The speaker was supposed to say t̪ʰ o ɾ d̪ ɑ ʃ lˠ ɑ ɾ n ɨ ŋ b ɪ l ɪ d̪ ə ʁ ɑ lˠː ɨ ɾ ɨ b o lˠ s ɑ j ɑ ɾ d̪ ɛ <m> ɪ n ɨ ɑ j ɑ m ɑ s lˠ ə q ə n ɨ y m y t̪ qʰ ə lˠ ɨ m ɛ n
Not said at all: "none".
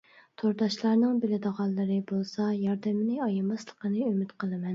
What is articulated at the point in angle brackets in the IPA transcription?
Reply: m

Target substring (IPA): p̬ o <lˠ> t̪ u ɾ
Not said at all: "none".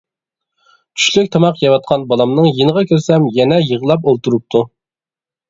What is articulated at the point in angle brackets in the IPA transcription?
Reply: lˠ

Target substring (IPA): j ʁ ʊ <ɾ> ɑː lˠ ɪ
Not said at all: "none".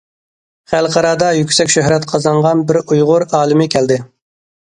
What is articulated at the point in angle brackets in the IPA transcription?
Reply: ɾ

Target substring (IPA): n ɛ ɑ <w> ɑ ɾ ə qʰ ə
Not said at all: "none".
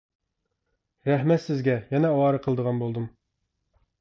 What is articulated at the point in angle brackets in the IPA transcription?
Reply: w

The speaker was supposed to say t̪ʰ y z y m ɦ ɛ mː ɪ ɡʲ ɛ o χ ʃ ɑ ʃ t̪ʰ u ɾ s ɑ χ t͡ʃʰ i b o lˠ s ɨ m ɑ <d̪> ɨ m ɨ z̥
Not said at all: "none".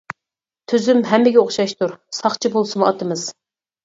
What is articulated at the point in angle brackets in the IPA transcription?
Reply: t̪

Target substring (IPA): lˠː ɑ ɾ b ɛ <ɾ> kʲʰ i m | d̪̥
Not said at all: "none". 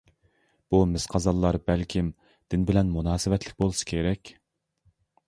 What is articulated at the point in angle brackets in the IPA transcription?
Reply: l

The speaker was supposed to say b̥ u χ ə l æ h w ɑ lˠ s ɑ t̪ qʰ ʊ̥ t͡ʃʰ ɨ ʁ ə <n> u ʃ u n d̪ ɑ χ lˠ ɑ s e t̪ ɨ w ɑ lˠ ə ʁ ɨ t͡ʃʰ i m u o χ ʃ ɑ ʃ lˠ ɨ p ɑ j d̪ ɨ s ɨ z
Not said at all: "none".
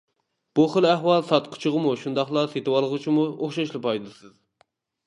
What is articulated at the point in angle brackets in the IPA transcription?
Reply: m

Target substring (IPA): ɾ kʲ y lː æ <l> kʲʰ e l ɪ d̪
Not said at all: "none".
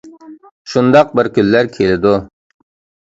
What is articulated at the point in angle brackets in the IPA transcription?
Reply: ɾ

